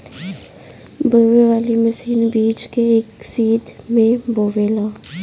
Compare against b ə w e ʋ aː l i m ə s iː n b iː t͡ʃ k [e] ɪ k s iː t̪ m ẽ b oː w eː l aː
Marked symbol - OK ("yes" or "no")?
yes